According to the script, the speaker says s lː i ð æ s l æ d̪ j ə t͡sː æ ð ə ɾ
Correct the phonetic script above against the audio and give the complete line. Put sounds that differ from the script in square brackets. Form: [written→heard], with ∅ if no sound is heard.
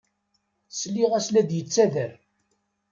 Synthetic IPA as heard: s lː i [ð→ʁ] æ s l æ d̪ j ə t͡sː æ ð ə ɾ